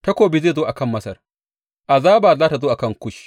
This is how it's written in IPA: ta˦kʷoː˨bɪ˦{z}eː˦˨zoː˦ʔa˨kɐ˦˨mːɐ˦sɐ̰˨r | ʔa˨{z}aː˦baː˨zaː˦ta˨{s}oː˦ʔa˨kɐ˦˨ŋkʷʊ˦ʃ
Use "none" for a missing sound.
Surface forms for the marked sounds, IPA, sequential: z, z, z

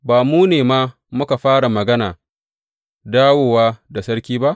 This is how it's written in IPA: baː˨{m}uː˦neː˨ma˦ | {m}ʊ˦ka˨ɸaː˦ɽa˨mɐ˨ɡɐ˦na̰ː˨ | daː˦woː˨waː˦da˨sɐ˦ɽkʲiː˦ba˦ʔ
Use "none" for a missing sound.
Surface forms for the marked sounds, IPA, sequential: m, m

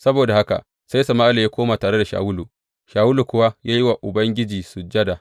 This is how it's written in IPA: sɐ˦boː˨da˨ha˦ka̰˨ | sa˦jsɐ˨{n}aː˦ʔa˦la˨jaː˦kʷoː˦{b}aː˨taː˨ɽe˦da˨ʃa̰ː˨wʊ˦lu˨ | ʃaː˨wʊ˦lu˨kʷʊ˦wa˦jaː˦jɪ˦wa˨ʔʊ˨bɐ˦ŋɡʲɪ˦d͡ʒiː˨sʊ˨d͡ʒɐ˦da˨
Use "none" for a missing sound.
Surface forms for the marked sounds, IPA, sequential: m, m

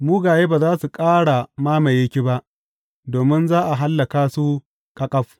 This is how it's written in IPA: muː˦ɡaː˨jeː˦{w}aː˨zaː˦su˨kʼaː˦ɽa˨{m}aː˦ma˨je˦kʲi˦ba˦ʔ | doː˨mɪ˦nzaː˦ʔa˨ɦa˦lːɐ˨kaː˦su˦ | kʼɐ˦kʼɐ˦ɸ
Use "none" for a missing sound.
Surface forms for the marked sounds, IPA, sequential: b, m

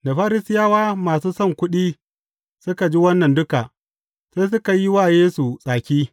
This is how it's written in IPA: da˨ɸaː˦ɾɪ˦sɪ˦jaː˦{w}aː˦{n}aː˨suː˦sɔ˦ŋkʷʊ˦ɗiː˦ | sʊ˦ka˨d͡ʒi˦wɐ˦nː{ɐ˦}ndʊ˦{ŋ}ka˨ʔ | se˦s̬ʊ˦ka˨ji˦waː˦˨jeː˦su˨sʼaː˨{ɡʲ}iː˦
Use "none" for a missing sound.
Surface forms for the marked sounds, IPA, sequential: w, m, ɐ˨, none, kʲ

